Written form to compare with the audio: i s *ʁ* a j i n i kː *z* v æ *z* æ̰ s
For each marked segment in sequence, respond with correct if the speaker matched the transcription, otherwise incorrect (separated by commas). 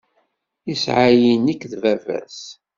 incorrect, incorrect, incorrect